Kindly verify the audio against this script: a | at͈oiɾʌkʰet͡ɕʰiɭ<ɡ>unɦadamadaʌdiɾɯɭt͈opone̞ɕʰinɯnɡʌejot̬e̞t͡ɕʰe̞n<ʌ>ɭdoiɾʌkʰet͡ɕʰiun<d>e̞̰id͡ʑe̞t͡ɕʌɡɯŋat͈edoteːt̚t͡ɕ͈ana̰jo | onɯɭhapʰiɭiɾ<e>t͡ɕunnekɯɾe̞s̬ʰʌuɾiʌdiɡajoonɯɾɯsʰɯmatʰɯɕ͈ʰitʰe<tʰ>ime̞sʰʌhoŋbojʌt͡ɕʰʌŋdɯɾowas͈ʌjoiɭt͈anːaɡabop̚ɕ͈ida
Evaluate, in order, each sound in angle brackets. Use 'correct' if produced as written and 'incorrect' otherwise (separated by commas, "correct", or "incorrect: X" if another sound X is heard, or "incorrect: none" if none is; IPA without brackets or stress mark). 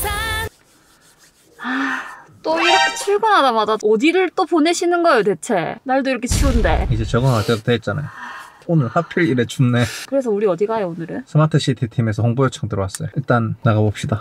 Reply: correct, incorrect: a, correct, correct, correct